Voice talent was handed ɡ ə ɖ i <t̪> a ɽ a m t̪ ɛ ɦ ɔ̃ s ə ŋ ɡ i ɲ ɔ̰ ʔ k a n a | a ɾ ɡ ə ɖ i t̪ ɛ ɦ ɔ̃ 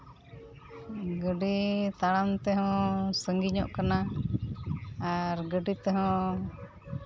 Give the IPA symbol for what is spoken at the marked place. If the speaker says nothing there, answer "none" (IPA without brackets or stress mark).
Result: t̪